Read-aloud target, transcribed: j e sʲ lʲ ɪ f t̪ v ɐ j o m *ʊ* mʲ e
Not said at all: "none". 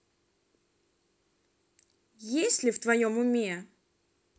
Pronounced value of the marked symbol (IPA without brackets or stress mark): ʊ